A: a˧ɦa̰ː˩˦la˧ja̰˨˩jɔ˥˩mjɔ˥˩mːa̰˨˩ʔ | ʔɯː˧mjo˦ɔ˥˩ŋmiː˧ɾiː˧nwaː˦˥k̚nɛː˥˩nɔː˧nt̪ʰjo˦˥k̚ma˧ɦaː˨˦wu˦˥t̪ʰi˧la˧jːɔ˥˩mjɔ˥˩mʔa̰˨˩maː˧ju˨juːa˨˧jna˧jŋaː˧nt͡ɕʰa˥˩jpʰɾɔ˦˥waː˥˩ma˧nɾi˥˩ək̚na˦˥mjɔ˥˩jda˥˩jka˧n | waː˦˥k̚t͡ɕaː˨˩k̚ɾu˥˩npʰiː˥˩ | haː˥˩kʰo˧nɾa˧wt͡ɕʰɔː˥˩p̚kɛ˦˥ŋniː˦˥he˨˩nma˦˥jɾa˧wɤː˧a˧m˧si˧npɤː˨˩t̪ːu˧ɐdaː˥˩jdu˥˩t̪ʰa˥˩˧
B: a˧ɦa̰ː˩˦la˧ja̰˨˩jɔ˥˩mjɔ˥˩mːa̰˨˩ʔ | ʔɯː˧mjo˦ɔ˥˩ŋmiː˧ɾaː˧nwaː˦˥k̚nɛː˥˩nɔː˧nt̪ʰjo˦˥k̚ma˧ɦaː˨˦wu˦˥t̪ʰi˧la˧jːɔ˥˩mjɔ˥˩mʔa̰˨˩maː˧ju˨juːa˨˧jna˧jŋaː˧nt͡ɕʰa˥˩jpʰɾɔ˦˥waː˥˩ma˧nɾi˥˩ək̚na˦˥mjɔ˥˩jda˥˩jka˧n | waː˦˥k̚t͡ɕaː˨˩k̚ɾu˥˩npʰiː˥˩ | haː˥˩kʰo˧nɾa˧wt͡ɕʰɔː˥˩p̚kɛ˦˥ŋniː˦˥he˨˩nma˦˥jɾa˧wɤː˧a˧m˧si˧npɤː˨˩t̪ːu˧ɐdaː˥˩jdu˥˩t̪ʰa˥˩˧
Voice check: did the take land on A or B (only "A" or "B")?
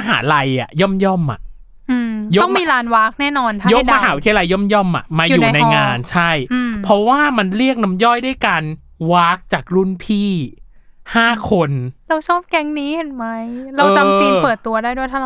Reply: B